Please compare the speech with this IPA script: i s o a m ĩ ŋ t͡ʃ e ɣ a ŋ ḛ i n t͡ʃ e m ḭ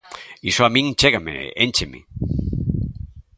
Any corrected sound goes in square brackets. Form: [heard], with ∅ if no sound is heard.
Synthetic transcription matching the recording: i s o a m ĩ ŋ t͡ʃ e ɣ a [m] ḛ [e] n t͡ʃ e m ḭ